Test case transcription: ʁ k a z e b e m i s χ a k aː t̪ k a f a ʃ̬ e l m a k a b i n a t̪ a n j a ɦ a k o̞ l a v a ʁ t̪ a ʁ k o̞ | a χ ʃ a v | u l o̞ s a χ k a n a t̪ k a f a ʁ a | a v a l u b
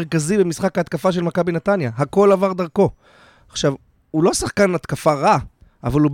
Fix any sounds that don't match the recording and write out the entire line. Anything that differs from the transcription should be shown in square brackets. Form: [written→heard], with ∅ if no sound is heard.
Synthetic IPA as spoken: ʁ k a z [e→i] b e m i s χ a k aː t̪ k a f a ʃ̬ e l m a k a b i n a t̪ a n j a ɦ a k o̞ l a v a ʁ [t̪→d̪] a ʁ k o̞ | a χ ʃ a v | u l o̞ s a χ k a n a t̪ k a f a ʁ a | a v a l u b